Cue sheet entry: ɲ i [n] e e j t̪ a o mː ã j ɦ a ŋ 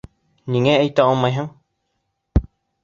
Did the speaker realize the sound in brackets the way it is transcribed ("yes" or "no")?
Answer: no